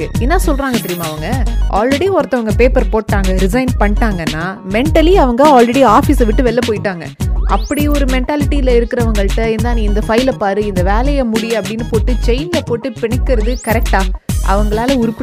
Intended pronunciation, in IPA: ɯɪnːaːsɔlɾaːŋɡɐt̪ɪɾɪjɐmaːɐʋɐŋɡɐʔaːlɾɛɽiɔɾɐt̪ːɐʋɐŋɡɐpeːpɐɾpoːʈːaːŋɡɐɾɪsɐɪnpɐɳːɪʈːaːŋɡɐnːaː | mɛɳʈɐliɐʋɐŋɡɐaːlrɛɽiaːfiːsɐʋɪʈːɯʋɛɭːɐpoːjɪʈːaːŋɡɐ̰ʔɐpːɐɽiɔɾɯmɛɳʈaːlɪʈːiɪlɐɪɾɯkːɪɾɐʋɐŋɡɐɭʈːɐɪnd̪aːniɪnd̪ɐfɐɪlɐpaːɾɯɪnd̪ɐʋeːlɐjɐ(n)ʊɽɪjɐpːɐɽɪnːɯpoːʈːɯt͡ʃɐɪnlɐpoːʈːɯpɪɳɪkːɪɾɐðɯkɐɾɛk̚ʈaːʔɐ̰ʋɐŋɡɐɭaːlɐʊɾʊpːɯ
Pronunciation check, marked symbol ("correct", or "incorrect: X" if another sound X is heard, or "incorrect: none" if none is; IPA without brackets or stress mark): incorrect: m